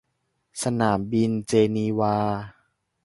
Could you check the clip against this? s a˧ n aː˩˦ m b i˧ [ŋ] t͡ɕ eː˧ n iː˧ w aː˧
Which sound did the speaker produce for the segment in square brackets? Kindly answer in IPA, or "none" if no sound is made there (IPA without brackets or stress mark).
n